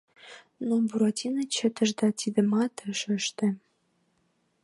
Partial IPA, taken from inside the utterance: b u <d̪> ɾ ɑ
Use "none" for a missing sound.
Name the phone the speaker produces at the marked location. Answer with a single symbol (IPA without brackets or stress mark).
none